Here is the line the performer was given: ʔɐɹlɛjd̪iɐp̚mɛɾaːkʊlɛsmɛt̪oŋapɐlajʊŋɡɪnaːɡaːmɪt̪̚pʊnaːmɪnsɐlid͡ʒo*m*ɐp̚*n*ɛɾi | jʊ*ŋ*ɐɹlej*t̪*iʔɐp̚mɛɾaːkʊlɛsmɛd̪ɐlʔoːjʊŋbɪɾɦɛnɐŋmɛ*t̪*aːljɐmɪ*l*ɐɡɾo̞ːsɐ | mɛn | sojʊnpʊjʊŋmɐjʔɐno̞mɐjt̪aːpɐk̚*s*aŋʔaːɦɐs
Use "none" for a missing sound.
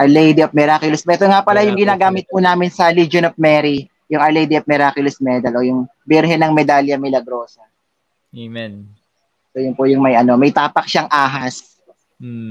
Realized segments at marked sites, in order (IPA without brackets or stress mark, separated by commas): n, m, ŋ, d̪, d̪, l, ʃ